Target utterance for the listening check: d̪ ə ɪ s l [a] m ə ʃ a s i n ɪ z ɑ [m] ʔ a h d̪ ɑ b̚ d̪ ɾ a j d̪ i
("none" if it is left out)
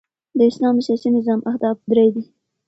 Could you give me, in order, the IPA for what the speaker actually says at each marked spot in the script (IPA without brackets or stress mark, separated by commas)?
ɑ, m